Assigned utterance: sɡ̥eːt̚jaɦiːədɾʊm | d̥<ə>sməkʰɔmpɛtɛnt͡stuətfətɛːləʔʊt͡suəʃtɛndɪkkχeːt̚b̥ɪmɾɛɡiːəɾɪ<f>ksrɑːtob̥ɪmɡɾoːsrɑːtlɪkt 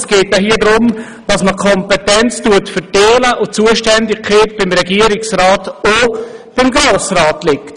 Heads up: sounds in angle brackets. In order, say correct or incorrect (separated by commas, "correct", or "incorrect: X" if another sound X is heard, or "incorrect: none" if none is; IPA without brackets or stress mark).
incorrect: ɑ, incorrect: none